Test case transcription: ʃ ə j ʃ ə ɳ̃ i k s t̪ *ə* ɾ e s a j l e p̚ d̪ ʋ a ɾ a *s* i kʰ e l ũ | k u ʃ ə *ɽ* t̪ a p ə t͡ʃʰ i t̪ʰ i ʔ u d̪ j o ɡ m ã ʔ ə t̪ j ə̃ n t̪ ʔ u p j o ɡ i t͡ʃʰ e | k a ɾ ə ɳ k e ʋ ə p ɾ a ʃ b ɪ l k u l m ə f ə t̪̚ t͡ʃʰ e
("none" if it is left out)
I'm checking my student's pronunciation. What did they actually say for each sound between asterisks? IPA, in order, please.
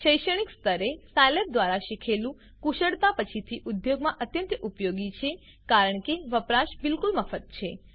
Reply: ə, ʃ, ɽ

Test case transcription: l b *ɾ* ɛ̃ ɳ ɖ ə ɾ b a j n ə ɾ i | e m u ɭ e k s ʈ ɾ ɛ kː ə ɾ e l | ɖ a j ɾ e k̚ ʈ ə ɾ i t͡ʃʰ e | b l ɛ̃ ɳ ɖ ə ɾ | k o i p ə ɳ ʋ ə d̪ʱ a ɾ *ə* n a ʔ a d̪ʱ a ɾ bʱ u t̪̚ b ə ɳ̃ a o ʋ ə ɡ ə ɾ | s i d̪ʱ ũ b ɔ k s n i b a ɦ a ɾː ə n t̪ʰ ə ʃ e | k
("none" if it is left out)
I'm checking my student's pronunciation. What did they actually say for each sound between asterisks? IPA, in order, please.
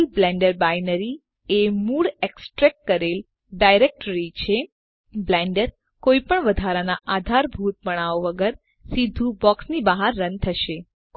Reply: l, a

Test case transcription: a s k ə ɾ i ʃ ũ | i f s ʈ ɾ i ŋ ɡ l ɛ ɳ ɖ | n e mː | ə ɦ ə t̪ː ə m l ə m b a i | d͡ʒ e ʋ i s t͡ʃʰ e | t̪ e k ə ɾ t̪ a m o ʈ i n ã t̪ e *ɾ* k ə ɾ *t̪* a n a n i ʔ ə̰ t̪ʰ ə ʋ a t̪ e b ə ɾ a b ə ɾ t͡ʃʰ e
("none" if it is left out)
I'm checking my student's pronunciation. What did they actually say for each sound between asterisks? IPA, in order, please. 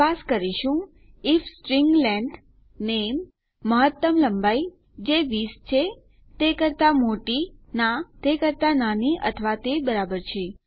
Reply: none, t̪

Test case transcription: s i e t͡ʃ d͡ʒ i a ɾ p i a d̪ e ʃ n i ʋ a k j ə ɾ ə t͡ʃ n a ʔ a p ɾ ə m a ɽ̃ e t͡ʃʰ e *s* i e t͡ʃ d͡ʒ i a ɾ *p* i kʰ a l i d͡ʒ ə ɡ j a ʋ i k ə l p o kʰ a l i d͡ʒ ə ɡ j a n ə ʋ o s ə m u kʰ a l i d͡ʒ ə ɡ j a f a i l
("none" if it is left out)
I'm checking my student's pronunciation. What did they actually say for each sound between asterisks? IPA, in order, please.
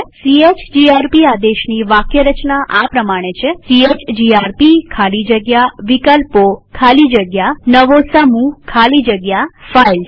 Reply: s, p

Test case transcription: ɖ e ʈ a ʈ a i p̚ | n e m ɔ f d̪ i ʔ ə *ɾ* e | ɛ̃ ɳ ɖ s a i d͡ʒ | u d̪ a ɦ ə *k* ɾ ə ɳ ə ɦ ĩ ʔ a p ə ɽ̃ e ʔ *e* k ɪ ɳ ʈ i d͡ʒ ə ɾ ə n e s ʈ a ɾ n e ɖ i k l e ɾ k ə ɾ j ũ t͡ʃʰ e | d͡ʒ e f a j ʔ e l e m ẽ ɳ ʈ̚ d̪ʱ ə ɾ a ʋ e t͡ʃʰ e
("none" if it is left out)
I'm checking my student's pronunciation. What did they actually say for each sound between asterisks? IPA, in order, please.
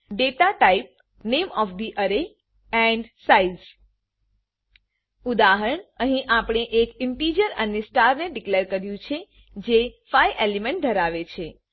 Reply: ɾ, none, e

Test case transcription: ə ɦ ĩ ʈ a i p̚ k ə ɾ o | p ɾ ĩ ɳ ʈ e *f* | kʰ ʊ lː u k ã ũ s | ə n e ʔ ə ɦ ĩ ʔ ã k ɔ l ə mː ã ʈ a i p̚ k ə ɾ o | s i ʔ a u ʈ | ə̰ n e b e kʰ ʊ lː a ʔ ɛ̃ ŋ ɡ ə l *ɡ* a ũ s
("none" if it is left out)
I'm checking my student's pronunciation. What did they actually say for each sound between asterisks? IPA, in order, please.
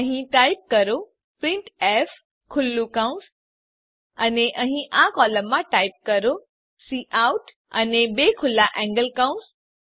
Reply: f, k

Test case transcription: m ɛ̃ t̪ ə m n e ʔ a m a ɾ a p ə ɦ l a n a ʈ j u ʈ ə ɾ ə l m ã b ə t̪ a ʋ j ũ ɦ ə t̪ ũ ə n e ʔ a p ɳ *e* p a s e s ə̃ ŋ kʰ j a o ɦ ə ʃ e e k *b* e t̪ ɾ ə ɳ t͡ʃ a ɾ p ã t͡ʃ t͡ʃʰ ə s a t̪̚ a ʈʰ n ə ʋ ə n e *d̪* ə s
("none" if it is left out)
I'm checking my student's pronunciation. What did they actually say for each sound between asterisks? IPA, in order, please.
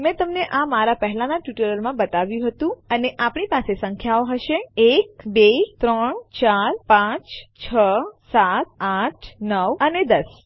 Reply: i, b, d̪

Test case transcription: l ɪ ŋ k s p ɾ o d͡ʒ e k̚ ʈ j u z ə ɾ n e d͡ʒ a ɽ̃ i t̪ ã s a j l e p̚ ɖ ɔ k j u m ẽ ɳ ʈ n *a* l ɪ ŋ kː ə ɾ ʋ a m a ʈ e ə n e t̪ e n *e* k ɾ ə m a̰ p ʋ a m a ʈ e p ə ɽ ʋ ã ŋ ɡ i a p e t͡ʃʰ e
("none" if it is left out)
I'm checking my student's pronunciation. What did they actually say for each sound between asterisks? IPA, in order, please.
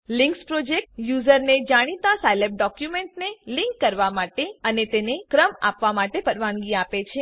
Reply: e, e

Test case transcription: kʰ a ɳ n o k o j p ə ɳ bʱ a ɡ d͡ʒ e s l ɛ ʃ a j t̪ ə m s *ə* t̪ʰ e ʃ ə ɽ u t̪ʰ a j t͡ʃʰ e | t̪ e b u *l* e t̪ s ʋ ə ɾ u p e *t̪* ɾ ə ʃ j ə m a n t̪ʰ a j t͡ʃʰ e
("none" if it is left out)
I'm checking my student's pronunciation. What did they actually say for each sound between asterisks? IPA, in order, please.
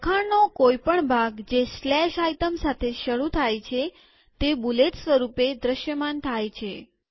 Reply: a, l, d̪

